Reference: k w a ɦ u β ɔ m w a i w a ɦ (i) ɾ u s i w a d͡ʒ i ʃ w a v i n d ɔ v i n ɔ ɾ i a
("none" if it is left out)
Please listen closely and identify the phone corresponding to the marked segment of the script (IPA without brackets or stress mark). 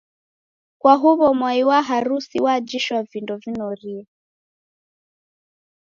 a